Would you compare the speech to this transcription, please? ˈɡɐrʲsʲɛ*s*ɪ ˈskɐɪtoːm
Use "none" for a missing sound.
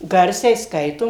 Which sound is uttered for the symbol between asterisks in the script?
none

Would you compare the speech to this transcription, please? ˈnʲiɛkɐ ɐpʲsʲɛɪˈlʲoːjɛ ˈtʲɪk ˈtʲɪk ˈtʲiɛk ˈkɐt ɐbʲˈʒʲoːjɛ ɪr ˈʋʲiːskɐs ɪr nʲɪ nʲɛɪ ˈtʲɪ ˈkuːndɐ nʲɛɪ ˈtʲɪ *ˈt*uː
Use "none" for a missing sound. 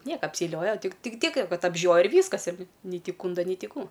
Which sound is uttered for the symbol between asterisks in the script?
k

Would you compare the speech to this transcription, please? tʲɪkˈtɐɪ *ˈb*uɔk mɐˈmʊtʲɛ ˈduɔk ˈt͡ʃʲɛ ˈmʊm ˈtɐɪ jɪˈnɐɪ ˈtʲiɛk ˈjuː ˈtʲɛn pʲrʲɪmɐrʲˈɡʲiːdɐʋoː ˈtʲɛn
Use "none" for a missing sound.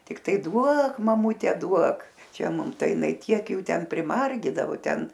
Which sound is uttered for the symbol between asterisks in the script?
d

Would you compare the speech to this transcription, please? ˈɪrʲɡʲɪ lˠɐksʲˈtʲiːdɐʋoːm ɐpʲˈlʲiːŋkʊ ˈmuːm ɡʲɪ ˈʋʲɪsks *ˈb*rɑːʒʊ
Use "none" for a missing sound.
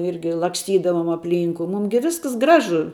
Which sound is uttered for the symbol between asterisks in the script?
ɡ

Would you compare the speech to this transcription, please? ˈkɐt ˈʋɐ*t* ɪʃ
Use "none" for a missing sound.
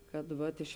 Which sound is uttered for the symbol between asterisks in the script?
t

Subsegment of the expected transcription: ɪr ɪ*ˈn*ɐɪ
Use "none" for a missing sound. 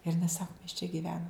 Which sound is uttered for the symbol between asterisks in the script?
n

